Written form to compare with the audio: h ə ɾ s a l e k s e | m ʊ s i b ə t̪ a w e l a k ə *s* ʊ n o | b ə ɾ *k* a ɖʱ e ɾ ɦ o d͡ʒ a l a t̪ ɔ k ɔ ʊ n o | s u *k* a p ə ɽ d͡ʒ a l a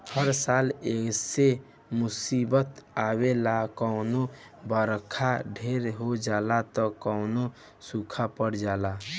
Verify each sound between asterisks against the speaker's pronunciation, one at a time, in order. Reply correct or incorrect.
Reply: incorrect, incorrect, incorrect

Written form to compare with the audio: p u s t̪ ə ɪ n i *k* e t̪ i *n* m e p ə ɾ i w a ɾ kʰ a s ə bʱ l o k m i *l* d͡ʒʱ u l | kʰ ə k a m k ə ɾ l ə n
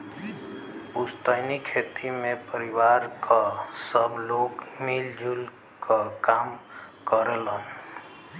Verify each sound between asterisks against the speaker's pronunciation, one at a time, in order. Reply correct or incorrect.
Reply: incorrect, incorrect, correct

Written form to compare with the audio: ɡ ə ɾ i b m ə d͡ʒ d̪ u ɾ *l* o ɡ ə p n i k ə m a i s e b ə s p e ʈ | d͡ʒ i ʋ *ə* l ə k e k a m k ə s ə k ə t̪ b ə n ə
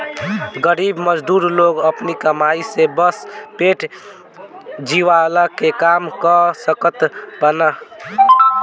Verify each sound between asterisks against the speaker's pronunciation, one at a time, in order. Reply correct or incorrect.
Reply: correct, incorrect

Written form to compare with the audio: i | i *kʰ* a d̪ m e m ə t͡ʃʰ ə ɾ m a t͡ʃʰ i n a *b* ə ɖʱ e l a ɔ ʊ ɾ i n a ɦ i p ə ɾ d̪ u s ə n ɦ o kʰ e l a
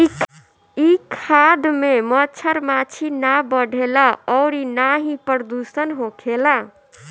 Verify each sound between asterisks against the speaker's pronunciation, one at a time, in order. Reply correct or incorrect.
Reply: correct, correct

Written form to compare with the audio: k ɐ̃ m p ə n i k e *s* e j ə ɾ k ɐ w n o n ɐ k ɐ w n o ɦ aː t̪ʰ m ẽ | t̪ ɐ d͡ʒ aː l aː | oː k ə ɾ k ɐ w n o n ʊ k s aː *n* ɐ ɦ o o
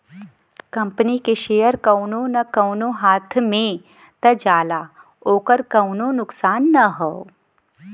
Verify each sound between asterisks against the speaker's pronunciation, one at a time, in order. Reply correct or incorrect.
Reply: incorrect, incorrect

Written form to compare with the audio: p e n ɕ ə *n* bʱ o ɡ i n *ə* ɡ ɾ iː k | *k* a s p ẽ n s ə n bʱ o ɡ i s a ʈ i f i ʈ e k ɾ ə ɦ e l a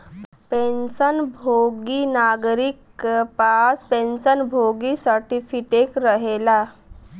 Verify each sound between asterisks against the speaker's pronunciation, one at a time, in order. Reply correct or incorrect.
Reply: correct, incorrect, incorrect

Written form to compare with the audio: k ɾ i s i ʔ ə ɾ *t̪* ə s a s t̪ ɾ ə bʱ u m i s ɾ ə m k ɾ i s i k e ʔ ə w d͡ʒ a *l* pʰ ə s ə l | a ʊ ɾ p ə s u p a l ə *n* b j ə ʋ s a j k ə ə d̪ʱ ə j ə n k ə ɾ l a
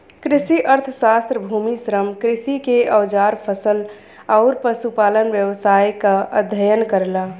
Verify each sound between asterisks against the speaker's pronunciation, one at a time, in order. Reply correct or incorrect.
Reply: incorrect, incorrect, correct

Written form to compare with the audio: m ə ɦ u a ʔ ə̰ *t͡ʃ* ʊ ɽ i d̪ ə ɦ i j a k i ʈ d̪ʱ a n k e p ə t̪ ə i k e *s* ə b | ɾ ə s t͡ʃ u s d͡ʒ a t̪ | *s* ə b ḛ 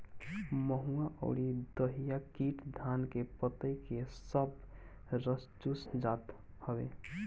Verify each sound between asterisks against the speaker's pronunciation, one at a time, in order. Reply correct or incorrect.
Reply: incorrect, correct, incorrect

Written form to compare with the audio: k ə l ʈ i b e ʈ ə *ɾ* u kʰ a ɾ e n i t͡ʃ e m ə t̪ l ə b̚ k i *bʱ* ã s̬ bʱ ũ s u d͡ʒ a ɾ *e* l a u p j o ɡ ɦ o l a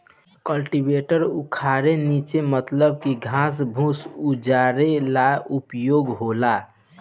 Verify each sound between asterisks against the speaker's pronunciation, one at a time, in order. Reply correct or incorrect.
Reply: correct, incorrect, correct

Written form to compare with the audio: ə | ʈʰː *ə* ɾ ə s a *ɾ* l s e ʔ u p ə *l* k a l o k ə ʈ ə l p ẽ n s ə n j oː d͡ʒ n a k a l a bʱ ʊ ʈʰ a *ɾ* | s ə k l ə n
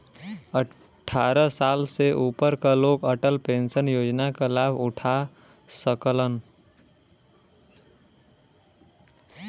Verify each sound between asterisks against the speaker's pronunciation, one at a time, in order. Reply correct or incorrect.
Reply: incorrect, incorrect, incorrect, incorrect

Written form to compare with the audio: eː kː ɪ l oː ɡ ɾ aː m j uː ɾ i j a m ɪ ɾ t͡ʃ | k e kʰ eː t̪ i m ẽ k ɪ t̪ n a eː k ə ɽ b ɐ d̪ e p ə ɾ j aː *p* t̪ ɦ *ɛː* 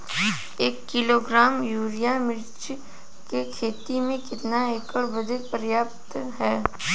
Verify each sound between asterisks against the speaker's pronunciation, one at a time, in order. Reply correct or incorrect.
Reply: correct, correct

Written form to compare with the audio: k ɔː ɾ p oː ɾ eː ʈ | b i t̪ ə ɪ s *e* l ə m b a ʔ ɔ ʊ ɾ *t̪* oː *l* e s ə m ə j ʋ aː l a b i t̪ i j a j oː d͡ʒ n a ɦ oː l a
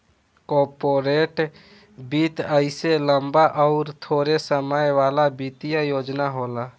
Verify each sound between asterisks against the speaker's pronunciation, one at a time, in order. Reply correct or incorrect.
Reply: correct, incorrect, incorrect

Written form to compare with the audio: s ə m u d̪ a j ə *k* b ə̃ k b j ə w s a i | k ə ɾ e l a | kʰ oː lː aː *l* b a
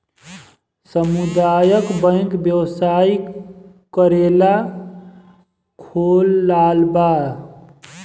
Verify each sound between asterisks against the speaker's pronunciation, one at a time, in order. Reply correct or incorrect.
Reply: correct, correct

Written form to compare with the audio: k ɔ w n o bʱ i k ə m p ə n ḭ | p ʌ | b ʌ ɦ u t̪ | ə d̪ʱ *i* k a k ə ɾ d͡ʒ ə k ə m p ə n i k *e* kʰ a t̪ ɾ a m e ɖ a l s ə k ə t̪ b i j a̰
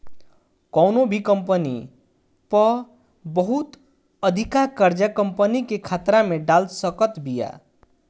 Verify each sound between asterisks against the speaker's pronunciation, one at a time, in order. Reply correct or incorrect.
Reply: correct, correct

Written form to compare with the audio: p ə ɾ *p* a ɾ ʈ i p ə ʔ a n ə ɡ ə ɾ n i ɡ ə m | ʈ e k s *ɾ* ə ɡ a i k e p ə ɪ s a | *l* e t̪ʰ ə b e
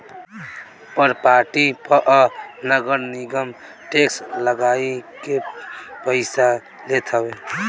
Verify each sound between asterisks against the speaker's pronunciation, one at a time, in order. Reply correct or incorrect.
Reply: correct, incorrect, correct

